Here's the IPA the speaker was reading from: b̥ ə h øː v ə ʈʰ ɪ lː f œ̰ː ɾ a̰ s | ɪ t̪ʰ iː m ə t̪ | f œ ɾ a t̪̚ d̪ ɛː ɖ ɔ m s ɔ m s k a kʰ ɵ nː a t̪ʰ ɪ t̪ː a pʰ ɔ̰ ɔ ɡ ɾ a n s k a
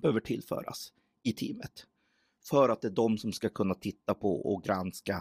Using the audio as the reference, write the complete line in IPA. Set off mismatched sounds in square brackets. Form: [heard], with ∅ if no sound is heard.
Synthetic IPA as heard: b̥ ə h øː v ə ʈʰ ɪ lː f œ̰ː ɾ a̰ s | ɪ t̪ʰ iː m ə t̪ | f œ ɾ a t̪̚ d̪ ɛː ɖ ɔ m s ɔ m s k a kʰ ɵ nː a t̪ʰ ɪ t̪ː a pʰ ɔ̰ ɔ ɡ ɾ a n s k a